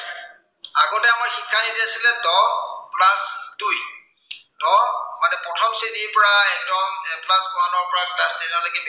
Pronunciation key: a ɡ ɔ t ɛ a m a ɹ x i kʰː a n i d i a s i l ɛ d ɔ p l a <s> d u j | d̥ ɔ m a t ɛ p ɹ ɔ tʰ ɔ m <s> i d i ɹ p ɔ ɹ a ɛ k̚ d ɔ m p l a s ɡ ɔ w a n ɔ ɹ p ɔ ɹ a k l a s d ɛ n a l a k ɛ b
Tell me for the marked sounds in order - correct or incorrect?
correct, correct

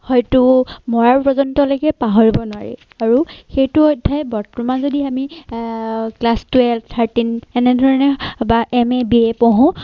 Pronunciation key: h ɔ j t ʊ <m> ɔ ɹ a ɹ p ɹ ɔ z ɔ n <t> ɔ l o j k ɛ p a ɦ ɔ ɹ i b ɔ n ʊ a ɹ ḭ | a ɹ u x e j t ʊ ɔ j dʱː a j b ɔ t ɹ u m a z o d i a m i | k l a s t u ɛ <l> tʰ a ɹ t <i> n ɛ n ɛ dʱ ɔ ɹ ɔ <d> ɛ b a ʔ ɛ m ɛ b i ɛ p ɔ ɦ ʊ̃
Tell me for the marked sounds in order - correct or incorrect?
correct, correct, correct, correct, incorrect

